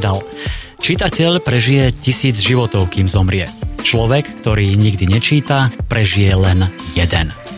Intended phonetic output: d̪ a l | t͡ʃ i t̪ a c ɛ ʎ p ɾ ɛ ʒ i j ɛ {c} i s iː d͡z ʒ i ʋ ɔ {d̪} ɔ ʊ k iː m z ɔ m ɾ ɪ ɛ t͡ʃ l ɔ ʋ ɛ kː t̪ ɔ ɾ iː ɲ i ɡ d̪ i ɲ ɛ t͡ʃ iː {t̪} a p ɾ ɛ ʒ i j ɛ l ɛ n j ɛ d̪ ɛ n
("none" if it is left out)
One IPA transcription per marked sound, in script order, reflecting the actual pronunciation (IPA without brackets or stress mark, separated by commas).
c, t̪, t̪